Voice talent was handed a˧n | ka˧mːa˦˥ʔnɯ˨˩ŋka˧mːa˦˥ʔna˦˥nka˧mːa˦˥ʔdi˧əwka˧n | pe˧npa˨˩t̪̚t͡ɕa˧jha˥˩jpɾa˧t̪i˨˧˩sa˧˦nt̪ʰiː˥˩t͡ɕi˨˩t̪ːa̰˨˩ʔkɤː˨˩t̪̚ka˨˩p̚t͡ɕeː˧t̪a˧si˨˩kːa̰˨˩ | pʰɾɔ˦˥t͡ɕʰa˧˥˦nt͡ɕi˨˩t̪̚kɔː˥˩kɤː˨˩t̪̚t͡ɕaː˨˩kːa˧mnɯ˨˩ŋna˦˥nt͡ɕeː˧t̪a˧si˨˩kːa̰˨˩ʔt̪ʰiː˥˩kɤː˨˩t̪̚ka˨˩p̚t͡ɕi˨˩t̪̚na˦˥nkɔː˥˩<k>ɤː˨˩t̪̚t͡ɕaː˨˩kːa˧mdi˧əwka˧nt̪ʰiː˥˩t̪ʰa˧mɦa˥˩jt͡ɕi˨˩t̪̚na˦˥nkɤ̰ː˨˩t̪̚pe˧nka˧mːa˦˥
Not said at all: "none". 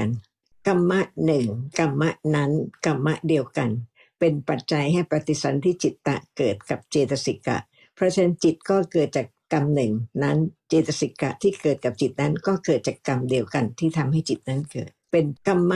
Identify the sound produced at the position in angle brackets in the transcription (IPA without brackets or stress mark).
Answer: k